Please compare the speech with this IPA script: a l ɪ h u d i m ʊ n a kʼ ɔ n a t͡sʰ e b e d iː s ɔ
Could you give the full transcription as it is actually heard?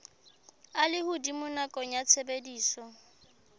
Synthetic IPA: a l ɪ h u d i m ʊ n a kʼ ɔ ɲ a t͡sʰ e b e d iː s ɔ